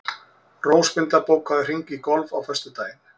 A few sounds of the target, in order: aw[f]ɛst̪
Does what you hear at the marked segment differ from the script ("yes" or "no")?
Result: no